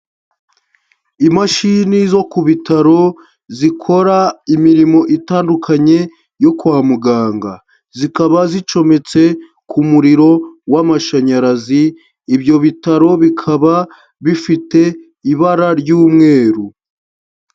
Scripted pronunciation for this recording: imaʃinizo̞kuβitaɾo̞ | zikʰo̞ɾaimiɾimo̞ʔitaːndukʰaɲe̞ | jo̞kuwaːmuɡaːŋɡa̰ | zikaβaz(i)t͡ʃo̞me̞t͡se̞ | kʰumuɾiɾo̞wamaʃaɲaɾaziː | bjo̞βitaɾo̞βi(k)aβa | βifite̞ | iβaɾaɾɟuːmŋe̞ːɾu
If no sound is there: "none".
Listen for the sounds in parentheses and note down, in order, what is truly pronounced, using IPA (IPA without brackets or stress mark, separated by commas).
i, kʰ